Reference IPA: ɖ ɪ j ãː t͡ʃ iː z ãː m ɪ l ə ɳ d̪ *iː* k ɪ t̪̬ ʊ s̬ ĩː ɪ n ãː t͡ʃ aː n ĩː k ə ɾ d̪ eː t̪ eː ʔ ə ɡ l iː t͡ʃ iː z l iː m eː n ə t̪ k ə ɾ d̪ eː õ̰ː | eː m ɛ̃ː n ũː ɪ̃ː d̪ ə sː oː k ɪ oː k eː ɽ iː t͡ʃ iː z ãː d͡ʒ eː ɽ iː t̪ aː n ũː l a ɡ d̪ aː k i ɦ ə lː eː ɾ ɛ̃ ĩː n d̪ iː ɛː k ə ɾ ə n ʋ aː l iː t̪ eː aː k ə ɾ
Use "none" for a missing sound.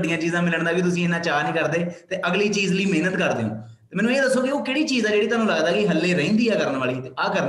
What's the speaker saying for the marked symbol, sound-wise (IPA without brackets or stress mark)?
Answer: aː